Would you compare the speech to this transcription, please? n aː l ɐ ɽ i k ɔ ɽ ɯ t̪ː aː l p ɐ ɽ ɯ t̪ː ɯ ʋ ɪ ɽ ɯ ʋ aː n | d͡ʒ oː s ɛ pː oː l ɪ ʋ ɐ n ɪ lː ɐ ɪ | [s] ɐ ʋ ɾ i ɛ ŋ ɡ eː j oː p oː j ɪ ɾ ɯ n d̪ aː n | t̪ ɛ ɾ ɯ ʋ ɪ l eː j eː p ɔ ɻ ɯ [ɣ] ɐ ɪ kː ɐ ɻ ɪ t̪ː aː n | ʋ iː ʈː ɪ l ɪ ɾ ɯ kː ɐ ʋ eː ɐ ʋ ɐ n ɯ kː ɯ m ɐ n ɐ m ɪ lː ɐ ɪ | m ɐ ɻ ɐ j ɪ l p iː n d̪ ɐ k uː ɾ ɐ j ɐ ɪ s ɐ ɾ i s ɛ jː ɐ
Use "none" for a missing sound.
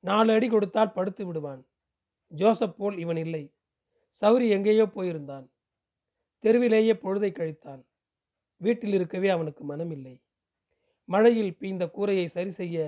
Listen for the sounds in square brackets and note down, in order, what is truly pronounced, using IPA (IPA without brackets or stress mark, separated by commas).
s, ð